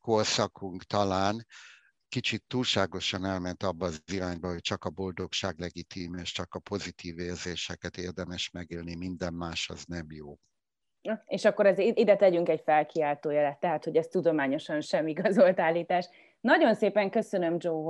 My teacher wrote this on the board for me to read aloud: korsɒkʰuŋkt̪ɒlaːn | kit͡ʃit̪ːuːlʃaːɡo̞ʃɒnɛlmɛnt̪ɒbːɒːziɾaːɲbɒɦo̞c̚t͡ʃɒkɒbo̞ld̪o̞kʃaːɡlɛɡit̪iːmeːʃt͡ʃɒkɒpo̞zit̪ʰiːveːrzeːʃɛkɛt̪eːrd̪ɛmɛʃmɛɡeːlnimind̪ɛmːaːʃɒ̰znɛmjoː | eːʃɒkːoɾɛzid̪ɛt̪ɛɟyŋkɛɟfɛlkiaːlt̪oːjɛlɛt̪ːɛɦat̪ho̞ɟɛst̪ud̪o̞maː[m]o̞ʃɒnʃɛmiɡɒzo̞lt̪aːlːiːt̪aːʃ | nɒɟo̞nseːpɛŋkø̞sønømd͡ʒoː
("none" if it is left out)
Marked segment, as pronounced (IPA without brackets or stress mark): ɲ